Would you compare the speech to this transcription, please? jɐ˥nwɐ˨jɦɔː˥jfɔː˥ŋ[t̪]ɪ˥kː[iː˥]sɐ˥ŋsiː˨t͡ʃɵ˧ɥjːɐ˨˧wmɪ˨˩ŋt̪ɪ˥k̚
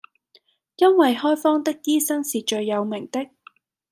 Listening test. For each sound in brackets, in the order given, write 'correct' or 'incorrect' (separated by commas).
correct, correct